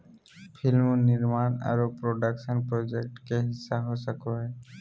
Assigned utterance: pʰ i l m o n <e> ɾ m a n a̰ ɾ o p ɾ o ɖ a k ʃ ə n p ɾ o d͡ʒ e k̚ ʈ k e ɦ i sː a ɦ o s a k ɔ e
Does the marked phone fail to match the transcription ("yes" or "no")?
yes